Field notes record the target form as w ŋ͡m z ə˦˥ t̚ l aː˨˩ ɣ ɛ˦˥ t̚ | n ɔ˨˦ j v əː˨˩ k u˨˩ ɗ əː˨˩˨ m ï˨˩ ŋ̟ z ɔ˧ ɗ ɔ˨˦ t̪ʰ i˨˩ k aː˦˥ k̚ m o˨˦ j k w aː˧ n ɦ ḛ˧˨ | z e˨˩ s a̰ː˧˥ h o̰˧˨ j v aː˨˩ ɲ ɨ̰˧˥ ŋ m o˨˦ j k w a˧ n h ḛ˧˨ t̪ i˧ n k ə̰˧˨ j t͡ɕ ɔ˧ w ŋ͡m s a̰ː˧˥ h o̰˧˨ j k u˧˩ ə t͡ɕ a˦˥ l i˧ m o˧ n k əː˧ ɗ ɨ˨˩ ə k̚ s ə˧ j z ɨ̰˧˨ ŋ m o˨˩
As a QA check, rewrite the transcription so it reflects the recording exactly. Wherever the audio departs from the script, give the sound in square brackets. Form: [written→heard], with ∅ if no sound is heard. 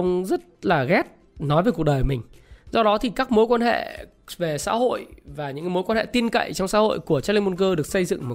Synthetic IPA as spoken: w ŋ͡m z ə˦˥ t̚ l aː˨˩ ɣ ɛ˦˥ t̚ | n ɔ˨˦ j v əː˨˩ k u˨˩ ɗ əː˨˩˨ m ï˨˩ ŋ̟ z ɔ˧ ɗ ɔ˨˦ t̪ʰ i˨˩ k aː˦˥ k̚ m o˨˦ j k w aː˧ n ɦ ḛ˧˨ | [z→v] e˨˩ s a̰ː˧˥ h o̰˧˨ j v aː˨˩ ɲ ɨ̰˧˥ ŋ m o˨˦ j k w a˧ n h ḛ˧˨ t̪ i˧ n k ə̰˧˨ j t͡ɕ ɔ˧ w ŋ͡m s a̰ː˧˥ h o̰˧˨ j k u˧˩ ə t͡ɕ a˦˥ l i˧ m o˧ n k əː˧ ɗ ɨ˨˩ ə k̚ s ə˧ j z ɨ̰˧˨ ŋ m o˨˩